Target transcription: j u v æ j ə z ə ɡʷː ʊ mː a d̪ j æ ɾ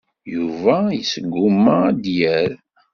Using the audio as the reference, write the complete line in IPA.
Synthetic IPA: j u v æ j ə s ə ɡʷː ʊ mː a d̪ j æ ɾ